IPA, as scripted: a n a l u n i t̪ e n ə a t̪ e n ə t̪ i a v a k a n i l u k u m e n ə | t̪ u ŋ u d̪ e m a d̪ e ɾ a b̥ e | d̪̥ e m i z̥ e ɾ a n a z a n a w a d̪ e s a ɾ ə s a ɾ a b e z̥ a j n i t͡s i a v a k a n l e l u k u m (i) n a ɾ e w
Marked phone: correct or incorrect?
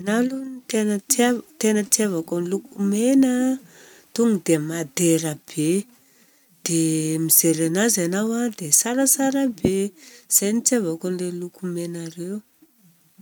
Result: incorrect